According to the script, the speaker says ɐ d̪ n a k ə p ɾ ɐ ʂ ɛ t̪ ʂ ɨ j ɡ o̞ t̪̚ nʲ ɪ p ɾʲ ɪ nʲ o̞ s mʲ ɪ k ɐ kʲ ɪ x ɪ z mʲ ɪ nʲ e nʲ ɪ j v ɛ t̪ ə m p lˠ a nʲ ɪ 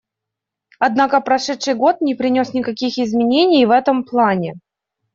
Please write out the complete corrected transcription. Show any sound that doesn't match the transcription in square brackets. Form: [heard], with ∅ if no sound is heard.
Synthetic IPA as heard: ɐ d̪ n a k ə p ɾ ɐ ʂ ɛ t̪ ʂ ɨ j ɡ o̞ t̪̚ nʲ ɪ p ɾʲ ɪ nʲ o̞ s [nʲ] ɪ k ɐ kʲ [i] x ɪ z mʲ ɪ nʲ e nʲ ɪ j v ɛ t̪ ə m p lˠ a nʲ ɪ